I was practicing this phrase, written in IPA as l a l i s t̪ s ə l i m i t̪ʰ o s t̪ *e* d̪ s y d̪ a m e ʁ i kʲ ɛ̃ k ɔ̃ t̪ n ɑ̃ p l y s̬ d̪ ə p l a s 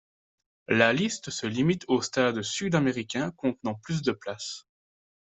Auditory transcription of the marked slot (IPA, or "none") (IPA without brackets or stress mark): a